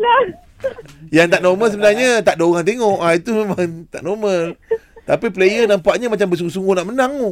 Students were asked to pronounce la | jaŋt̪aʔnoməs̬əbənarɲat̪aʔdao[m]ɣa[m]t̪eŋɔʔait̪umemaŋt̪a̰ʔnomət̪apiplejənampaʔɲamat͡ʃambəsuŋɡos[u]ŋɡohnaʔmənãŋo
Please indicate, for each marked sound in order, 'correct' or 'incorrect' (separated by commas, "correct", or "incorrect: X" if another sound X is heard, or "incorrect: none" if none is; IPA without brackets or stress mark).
incorrect: none, incorrect: ŋ, correct